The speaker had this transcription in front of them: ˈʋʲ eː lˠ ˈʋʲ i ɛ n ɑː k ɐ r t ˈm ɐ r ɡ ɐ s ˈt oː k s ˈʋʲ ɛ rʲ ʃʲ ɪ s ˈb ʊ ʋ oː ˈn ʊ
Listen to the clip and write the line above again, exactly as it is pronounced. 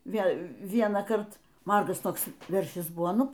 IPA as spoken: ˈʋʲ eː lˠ ˈʋʲ i ɛ n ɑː k ɐ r t ˈm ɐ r ɡ ɐ s ˈt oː k s ˈʋʲ ɛ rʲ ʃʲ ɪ s ˈb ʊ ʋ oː ˈn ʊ